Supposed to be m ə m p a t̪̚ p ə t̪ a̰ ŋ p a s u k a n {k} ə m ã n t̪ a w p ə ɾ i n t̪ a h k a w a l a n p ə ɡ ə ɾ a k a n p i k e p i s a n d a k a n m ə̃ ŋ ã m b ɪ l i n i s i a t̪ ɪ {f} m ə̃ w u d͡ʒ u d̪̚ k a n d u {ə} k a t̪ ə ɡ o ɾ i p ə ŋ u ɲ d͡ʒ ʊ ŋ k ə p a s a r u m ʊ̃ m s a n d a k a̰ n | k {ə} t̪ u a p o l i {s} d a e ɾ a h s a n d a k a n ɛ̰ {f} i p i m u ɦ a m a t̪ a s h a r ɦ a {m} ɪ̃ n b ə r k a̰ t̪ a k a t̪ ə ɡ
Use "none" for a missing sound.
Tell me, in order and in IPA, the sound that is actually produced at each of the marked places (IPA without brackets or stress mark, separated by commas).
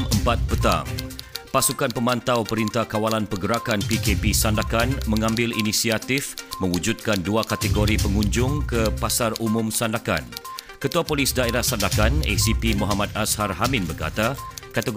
p, f, a, ə, s, s, m